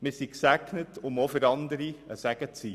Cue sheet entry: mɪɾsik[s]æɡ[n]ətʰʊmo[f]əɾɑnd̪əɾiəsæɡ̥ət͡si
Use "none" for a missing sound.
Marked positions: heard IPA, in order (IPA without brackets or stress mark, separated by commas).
s, n, f